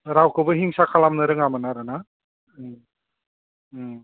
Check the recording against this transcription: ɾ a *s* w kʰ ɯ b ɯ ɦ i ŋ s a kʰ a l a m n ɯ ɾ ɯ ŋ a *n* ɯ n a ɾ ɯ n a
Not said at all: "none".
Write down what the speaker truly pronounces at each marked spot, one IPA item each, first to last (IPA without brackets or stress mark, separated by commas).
none, m